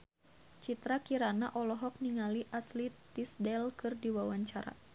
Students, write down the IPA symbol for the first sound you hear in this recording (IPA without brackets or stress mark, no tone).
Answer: t͡ʃ